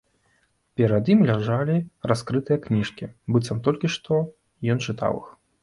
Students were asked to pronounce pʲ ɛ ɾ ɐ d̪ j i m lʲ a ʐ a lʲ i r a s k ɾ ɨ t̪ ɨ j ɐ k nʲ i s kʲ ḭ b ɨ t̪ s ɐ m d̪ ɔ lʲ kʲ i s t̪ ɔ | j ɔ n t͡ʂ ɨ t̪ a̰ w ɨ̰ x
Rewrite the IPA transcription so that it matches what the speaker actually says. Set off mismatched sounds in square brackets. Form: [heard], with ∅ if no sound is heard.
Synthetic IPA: pʲ ɛ ɾ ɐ d̪ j i m lʲ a ʐ a lʲ i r a s k ɾ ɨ t̪ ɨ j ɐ k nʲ i [ʂ] kʲ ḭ b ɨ t̪ s ɐ m [t̪] ɔ lʲ kʲ i [ʂ] t̪ ɔ | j ɔ n t͡ʂ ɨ t̪ a̰ w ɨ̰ x